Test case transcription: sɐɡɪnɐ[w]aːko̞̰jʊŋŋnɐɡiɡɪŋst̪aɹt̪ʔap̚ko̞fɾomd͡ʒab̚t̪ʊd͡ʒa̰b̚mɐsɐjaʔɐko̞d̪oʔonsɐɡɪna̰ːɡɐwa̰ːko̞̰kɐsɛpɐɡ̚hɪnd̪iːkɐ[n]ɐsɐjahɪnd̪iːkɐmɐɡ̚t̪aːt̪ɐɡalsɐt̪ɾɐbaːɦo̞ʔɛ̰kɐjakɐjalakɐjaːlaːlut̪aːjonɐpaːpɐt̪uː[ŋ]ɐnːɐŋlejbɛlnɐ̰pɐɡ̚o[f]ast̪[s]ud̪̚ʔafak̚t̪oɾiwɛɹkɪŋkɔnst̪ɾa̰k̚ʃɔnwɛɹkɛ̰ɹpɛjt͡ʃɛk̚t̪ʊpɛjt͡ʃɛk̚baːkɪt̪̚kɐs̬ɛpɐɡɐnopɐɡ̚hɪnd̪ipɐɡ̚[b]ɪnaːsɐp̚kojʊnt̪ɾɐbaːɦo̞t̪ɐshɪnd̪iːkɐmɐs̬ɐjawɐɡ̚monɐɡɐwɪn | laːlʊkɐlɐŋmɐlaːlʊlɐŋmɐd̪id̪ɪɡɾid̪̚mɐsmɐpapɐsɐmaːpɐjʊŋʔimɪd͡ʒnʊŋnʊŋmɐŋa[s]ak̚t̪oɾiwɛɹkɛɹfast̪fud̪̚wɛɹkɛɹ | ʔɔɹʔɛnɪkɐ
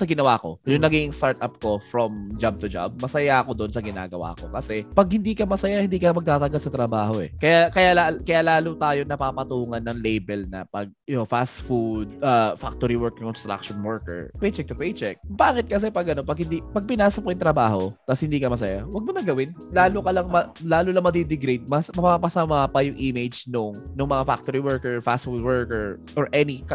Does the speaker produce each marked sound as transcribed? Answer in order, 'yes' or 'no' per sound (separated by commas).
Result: yes, no, yes, yes, no, no, no